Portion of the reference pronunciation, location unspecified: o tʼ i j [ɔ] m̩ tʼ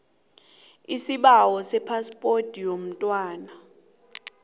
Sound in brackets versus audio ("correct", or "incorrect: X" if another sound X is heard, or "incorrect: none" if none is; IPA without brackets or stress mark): incorrect: o